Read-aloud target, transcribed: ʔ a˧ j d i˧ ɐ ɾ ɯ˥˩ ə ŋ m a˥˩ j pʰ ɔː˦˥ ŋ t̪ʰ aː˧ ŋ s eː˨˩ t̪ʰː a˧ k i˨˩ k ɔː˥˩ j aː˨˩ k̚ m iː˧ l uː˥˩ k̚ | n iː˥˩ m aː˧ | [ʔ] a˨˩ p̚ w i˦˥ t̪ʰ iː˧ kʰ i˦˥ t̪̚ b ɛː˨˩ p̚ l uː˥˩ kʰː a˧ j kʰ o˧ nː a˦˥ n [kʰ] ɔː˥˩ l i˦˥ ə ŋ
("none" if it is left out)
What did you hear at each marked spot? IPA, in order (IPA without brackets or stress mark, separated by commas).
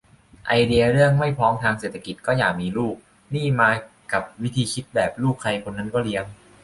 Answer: k, k